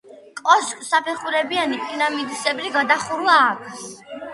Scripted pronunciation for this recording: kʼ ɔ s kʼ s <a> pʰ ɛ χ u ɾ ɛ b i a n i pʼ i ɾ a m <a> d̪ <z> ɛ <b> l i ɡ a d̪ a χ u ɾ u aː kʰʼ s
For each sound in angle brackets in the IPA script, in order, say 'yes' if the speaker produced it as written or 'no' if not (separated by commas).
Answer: yes, no, no, yes